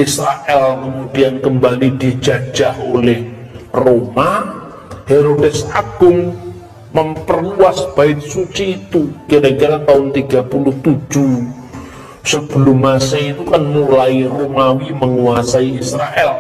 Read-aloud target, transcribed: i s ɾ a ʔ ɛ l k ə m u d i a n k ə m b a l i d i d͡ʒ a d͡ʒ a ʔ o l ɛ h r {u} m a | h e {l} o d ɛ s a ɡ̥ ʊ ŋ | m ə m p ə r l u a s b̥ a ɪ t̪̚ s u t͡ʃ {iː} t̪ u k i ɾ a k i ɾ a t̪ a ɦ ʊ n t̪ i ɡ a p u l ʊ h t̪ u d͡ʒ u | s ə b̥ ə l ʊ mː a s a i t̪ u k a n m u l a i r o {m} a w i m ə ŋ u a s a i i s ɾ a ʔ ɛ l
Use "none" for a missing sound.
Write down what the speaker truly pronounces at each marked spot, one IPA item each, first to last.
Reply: o, ɾ, iː, m

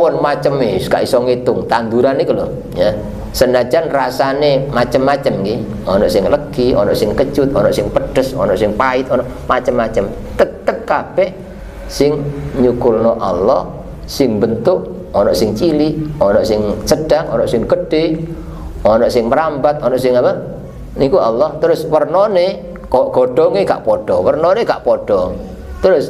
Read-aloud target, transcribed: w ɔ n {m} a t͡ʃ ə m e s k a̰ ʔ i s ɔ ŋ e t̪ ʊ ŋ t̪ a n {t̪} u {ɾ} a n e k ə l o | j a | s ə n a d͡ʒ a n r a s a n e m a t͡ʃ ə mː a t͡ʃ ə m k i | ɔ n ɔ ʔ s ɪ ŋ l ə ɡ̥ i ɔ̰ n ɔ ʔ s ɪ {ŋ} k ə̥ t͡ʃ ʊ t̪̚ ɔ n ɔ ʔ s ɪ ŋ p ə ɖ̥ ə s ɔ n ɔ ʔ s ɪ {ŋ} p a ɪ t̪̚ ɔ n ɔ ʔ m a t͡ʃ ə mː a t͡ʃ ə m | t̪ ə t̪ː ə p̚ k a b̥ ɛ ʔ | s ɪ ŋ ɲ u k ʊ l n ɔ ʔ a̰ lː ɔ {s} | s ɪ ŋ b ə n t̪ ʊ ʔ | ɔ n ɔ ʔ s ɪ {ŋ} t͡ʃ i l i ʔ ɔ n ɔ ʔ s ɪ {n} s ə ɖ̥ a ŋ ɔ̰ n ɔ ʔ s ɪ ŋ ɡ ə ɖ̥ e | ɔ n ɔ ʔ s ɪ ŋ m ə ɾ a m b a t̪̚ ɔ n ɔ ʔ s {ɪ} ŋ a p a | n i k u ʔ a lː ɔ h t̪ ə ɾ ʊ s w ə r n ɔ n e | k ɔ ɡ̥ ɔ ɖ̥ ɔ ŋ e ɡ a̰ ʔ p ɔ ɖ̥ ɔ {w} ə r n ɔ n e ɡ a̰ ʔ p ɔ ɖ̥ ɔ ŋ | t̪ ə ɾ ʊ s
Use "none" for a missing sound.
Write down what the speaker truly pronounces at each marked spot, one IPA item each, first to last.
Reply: m, d̪, ɾ, ŋ, ŋ, h, ŋ, ŋ, ɪ, w

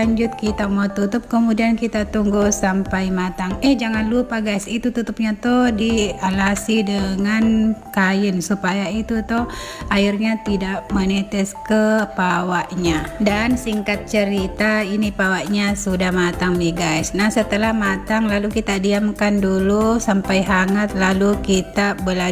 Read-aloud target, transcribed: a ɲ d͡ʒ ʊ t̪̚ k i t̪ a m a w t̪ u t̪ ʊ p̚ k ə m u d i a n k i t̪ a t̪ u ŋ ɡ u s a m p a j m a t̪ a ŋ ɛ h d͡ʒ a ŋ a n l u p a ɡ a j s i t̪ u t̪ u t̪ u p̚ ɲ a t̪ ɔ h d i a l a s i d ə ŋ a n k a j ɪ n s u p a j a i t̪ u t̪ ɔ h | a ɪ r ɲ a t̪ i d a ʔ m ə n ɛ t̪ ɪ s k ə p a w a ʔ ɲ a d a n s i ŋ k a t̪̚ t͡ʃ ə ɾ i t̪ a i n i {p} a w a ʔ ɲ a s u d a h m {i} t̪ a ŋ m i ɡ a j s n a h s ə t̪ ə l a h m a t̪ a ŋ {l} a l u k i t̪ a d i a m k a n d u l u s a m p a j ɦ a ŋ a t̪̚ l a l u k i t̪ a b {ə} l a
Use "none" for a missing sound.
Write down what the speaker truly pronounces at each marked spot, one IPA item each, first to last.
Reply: p, a, l, ə

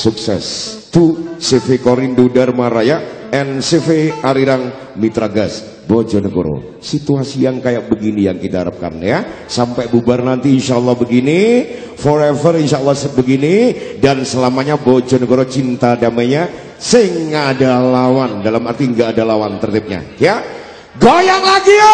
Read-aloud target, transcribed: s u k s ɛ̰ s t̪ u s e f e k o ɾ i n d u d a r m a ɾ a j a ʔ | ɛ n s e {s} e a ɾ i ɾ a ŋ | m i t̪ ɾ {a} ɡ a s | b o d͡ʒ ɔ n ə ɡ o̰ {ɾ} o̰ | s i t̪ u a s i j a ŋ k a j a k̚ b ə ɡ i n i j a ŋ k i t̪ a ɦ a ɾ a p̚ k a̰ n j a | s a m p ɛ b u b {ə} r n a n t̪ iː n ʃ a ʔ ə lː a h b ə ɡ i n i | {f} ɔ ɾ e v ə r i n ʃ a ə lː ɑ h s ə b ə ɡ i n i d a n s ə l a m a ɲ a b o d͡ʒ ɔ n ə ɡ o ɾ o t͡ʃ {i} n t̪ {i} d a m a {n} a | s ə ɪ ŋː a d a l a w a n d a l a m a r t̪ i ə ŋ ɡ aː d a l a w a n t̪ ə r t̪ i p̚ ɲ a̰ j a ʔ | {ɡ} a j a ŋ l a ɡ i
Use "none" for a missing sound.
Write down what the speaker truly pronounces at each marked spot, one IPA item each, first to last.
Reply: f, a, ɾ, a, f, i, a, ɲ, ɡ

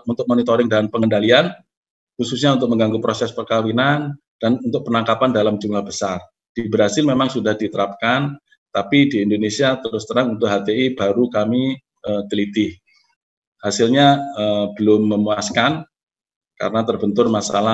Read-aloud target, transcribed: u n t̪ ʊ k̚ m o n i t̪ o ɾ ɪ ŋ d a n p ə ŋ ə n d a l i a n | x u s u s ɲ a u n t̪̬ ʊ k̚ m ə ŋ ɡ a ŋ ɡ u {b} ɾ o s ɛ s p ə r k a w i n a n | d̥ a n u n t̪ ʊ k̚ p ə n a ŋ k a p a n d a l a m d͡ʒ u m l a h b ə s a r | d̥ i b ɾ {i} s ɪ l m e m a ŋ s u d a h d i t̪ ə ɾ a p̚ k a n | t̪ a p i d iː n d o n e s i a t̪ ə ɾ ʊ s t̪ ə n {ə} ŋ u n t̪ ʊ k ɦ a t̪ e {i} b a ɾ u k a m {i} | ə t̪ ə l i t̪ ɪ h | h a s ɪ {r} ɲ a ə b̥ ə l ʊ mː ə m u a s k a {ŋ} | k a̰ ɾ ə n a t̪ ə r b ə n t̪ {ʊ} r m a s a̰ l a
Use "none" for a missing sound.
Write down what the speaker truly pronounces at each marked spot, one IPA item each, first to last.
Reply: p, a, a, i, i, l, n, ʊ

